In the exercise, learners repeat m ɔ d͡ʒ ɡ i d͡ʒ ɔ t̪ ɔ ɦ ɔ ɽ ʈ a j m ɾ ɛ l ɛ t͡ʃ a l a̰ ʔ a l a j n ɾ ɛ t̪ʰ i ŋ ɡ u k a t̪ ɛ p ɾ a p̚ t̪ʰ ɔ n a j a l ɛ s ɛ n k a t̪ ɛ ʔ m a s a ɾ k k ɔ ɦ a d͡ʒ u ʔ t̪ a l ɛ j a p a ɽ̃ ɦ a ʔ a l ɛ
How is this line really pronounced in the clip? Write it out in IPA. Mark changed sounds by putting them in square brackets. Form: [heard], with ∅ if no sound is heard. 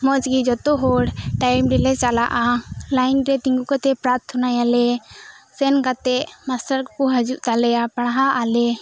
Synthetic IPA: m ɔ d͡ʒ ɡ i d͡ʒ ɔ t̪ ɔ ɦ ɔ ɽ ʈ a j m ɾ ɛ l ɛ t͡ʃ a l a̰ ʔ a l a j n ɾ ɛ [t̪] i ŋ ɡ u k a t̪ ɛ p ɾ a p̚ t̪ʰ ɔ n a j a l ɛ s ɛ n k a t̪ ɛ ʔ m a s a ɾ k k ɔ ɦ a d͡ʒ u ʔ t̪ a l ɛ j a p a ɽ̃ ɦ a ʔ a l ɛ